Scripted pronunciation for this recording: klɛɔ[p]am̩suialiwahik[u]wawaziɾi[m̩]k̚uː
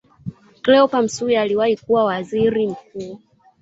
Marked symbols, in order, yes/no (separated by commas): yes, yes, yes